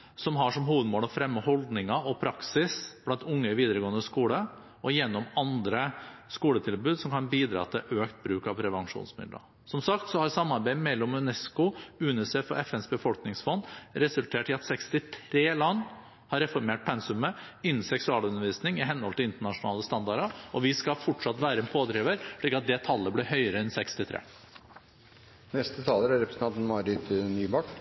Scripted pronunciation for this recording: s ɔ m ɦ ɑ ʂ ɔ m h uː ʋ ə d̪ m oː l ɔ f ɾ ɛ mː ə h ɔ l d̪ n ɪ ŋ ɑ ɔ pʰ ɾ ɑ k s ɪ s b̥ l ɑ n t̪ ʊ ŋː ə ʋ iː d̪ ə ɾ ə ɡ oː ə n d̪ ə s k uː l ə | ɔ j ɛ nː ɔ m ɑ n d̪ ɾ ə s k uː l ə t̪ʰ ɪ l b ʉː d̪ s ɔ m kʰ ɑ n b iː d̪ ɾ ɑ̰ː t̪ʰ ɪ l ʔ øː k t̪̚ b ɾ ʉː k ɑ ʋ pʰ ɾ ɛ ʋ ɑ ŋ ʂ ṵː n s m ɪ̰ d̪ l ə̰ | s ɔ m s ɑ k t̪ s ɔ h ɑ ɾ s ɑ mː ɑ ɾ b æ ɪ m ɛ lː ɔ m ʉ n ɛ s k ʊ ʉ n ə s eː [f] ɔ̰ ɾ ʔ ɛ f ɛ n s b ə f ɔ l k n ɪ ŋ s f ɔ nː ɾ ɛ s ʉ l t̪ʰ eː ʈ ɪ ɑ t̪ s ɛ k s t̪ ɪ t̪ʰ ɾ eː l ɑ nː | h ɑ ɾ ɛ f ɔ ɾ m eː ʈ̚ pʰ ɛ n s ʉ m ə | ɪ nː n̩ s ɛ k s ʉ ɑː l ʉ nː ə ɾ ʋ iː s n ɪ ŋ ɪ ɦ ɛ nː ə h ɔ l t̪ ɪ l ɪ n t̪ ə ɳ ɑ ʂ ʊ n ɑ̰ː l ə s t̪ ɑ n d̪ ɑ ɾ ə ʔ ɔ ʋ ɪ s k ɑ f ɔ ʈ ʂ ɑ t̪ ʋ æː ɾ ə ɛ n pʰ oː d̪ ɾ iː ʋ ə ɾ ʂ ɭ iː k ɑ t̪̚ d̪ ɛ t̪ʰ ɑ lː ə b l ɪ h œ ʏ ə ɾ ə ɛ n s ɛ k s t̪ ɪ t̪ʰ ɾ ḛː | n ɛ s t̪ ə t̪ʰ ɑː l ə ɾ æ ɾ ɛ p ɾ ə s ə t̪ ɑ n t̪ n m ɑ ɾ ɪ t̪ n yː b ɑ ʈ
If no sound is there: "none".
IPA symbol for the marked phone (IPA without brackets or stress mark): f